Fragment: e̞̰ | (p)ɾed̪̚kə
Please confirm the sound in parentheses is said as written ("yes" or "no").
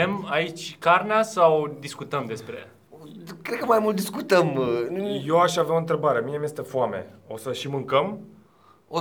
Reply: no